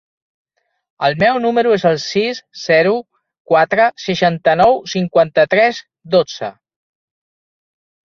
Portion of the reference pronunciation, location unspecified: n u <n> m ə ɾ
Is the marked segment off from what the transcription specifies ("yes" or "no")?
yes